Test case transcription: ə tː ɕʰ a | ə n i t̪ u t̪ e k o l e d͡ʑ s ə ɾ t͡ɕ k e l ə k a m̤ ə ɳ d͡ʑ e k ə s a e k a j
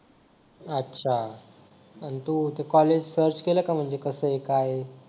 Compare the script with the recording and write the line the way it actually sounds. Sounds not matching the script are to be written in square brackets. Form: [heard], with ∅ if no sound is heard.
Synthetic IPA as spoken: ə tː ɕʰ a | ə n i t̪ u t̪ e k [ɔ] l e d͡ʑ s ə ɾ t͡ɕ k e l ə k a m̤ ə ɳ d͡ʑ e k ə s [ə] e k a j